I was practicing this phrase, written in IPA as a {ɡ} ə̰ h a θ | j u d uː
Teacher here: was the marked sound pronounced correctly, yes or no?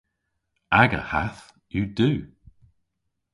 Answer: yes